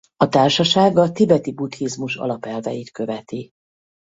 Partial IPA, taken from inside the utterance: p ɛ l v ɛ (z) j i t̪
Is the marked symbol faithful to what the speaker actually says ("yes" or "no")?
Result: no